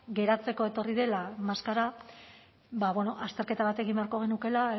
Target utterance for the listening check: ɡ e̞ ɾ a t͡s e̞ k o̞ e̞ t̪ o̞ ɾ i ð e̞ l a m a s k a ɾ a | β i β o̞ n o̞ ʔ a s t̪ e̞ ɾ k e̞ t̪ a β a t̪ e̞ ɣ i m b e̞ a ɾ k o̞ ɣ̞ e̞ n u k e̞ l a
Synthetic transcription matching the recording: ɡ e̞ ɾ a t͡s e̞ k o̞ e̞ t̪ o̞ r i ð e̞ l a m a s k a ɾ a | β a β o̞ n o̞ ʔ a s t̪ e̞ ɾ k e̞ t̪ a β a t̪ e̞ ɣ i m b e̞ a ɾ k o̞ ɣ̞ e̞ n u k e̞ l a